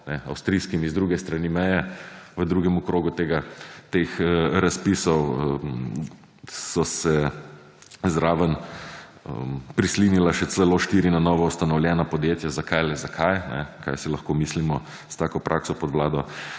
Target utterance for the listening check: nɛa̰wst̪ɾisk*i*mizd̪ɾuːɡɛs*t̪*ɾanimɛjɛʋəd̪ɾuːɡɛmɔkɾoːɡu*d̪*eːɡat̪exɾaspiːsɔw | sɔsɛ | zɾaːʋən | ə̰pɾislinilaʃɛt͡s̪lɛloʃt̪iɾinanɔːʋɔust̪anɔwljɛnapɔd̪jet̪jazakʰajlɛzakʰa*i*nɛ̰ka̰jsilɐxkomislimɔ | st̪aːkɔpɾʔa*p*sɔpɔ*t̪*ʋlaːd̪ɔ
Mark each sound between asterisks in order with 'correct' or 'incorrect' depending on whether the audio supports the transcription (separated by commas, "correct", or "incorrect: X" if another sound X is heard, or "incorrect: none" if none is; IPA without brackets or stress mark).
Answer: correct, correct, incorrect: t̪, incorrect: j, incorrect: k, incorrect: d̪